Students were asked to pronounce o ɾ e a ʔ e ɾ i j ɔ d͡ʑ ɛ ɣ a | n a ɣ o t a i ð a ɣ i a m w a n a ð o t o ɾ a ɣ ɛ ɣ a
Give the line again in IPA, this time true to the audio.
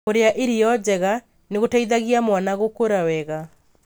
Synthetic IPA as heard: o ɾ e a ʔ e ɾ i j ɔ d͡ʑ ɛ ɣ a | n e ɣ o t a i ð a ɣ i a m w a n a ɣ o k o ɾ a w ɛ ɣ a